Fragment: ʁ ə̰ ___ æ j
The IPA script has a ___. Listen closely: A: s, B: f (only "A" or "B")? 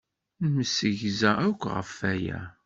B